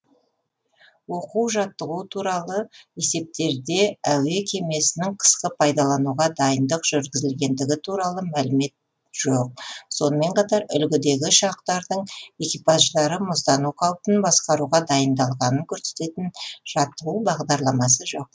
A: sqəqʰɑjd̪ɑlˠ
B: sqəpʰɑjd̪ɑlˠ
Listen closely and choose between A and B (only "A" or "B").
B